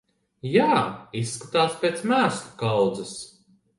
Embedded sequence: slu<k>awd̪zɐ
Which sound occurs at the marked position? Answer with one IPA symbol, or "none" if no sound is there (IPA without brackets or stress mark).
k